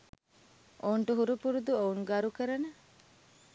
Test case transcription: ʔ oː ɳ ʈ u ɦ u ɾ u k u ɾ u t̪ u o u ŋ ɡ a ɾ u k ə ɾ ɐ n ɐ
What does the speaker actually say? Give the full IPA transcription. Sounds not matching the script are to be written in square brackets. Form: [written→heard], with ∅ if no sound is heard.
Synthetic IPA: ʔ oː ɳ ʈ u ɦ u ɾ u [k→p] u ɾ u [t̪→d̪] u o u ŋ ɡ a ɾ u k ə ɾ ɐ n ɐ